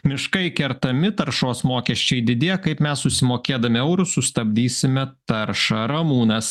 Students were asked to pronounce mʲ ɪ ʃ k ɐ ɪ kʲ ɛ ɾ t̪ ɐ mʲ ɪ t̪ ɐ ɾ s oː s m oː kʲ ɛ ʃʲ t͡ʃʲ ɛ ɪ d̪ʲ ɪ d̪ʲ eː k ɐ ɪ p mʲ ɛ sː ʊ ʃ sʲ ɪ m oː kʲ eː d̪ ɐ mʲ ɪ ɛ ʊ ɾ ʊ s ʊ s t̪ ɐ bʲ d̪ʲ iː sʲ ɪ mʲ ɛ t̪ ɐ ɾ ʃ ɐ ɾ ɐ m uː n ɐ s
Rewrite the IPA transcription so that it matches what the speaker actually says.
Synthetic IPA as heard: mʲ ɪ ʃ k ɐ ɪ kʲ ɛ ɾ t̪ ɐ mʲ ɪ t̪ ɐ ɾ ʃ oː s m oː kʲ ɛ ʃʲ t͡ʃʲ ɛ ɪ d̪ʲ ɪ d̪ʲ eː k ɐ ɪ p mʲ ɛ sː ʊ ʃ sʲ ɪ m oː kʲ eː d̪ ɐ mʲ ɪ ɛ ʊ ɾ ʊ s ʊ s t̪ ɐ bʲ d̪ʲ iː sʲ ɪ mʲ ɛ t̪ ɐ ɾ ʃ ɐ ɾ ɐ m uː n ɐ s